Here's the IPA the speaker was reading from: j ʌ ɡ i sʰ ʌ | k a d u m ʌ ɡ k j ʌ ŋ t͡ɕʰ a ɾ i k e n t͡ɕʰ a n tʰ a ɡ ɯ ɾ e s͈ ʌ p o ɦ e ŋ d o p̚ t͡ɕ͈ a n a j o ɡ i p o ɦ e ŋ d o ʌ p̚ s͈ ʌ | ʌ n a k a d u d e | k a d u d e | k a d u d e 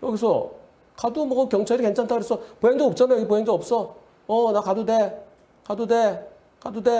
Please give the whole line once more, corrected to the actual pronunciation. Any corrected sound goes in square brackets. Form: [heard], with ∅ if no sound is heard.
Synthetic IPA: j ʌ ɡ i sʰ ʌ | k a d u m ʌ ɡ k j ʌ ŋ t͡ɕʰ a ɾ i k e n t͡ɕʰ a n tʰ a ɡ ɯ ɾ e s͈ ʌ p o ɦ e ŋ d o p̚ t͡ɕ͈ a n a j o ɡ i p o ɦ e ŋ d o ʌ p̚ s͈ ʌ | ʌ n a k a d u d e | k a d u d e | k a d u d e